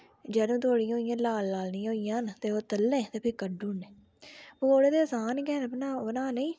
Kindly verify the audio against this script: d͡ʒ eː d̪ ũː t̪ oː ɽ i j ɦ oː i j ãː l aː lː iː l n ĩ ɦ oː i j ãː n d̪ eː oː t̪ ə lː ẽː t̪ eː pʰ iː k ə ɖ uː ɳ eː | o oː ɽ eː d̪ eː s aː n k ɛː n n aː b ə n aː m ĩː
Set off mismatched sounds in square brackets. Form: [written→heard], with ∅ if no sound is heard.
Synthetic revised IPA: d͡ʒ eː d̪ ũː t̪ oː ɽ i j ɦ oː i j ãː l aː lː [iː→aː] l n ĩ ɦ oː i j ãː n [d̪→t̪] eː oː t̪ ə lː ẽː t̪ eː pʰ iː k ə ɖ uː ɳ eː | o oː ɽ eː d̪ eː s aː n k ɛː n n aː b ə n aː [m→n] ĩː